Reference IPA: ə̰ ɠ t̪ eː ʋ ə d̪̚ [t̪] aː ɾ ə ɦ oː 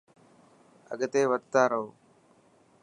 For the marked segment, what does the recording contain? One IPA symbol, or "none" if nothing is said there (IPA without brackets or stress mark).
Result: t̪